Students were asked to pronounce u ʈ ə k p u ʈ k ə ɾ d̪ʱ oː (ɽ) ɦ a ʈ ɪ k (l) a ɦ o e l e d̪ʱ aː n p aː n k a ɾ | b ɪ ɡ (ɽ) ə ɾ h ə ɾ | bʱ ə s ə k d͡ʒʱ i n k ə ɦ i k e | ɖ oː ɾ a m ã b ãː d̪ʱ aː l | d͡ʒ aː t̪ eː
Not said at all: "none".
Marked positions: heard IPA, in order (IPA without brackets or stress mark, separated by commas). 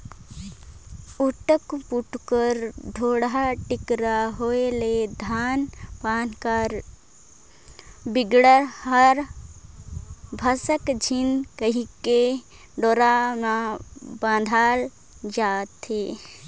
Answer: ɽ, ɾ, ɽ